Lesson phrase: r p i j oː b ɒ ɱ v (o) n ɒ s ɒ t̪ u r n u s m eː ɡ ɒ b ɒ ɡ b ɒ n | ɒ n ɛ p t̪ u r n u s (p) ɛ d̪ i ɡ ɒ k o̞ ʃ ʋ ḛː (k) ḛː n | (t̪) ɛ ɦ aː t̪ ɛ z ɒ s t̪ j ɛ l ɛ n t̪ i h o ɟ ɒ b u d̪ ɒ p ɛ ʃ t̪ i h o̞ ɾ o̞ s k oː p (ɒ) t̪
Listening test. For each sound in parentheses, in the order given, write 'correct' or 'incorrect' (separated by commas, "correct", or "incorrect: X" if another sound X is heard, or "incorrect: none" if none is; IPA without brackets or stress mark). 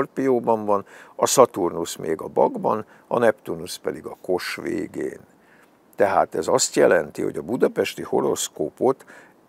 incorrect: ɒ, correct, incorrect: ɡ, correct, incorrect: o